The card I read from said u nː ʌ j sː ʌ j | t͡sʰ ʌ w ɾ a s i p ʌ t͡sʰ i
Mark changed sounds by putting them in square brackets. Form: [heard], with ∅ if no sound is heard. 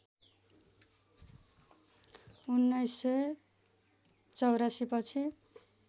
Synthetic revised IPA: u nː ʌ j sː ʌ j | [t͡s] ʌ w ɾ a s i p ʌ t͡sʰ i